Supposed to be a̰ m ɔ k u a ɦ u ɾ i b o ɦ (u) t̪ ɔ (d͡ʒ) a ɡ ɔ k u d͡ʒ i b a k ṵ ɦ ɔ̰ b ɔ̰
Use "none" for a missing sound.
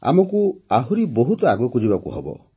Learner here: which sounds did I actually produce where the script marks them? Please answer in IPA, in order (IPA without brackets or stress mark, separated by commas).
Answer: u, none